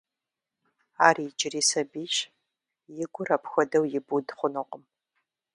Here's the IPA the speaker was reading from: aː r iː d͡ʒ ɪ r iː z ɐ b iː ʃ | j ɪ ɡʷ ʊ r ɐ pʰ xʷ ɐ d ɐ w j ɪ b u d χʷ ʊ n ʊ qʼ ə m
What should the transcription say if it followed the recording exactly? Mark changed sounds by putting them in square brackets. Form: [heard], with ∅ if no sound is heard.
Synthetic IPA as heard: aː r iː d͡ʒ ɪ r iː [s] ɐ b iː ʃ | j ɪ ɡʷ ʊ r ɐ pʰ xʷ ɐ d ɐ w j ɪ b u d χʷ ʊ n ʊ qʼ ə m